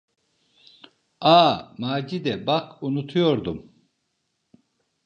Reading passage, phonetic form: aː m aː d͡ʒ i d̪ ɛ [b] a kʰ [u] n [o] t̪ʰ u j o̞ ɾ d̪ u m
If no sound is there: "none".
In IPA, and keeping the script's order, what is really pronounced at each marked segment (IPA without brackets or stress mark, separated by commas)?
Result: b, u, u